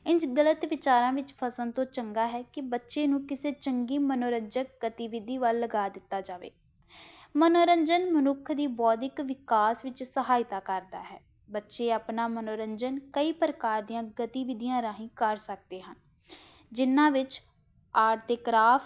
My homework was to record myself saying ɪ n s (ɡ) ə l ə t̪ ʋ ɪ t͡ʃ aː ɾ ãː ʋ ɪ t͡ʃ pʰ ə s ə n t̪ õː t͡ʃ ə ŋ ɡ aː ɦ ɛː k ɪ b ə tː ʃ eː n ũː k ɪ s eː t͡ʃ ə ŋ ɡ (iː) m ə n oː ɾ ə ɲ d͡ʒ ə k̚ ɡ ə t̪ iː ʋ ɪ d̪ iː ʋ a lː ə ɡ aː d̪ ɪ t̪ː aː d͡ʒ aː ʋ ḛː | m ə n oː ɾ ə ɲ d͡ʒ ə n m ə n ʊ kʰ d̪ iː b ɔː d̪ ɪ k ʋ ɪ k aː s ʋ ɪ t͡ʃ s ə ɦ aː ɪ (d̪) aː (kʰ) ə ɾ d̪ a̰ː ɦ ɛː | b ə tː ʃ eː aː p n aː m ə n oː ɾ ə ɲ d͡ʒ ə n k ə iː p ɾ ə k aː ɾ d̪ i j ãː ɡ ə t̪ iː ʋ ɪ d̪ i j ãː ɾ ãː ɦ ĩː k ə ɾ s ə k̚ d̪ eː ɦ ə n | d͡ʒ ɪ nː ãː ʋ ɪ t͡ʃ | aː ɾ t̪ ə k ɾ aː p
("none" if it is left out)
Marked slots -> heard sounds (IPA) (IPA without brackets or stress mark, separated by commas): ɡ, iː, t̪, k